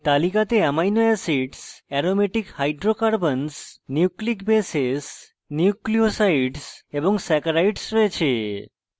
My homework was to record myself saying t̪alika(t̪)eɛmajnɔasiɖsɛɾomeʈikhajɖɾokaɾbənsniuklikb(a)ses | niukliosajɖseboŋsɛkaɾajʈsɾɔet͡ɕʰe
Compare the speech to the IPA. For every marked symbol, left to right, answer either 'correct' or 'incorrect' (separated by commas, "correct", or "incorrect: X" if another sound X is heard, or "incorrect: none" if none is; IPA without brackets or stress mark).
correct, incorrect: e